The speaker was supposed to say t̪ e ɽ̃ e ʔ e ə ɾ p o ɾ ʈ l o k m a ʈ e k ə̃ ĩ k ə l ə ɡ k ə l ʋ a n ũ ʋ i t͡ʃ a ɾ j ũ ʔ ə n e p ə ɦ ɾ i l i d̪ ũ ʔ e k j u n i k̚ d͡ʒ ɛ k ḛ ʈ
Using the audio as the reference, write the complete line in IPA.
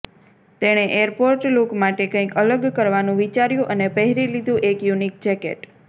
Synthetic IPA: t̪ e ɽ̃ e ʔ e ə ɾ p o ɾ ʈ l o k m a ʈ e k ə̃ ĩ k ə l ə ɡ k ə ɾ ʋ a n ũ ʋ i t͡ʃ a ɾ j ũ ʔ ə n e p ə ɦ ɾ i l i d̪ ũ ʔ e k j u n i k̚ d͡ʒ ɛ k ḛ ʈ